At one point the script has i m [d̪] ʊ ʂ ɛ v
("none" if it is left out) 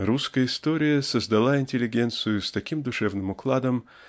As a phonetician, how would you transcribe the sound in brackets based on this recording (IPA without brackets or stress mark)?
d̪